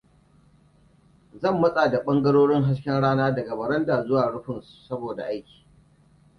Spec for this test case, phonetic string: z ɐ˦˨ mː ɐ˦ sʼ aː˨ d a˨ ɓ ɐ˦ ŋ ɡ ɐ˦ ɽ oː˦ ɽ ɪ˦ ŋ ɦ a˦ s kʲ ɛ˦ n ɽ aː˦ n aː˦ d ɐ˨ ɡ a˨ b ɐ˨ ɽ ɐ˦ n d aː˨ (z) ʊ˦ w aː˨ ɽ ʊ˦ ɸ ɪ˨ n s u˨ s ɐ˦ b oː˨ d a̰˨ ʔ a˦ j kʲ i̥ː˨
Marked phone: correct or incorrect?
correct